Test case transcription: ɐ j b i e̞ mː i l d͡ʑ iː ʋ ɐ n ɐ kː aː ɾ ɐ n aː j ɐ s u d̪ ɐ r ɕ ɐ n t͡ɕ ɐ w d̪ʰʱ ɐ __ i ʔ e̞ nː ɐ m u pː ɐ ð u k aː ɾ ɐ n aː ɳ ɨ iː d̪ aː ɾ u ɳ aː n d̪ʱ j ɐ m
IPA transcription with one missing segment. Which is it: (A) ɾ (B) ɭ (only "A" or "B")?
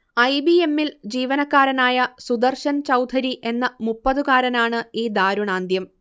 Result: A